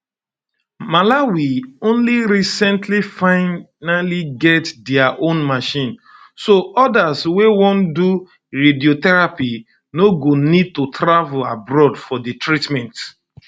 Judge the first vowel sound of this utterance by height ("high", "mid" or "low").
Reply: low